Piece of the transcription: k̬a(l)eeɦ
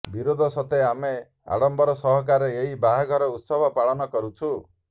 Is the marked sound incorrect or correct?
incorrect